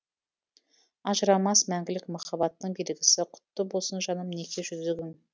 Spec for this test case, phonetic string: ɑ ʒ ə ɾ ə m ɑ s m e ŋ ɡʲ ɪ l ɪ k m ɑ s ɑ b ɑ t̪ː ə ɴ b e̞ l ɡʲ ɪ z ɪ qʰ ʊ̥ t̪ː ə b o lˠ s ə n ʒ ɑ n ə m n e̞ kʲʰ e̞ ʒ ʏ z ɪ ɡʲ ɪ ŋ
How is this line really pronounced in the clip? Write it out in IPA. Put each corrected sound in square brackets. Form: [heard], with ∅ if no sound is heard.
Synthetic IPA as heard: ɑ ʒ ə ɾ [ɑ] m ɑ s m [æ] ŋ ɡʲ ɪ l ɪ k m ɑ [χ] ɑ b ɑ t̪ː ə ɴ b e̞ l ɡʲ ɪ [s] ɪ qʰ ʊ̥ t̪ː ə b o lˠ s ə n ʒ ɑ n ə m n e̞ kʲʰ e̞ ʒ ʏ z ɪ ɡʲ ɪ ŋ